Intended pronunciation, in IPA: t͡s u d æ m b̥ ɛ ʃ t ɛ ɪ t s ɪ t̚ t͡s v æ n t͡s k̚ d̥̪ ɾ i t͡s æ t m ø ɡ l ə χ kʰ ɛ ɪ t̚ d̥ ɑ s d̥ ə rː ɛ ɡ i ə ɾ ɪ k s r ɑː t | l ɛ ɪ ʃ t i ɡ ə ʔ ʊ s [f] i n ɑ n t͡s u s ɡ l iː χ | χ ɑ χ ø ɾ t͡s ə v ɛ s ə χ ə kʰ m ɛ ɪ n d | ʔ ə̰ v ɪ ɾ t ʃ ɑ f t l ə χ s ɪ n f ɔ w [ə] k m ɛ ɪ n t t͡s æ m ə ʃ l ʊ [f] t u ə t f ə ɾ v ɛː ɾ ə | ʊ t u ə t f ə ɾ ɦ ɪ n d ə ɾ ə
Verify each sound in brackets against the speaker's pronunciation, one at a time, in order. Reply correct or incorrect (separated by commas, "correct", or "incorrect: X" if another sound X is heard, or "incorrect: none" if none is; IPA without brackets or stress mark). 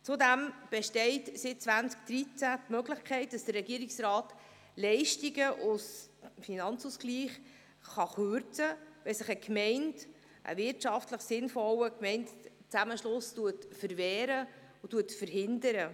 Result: correct, correct, incorrect: s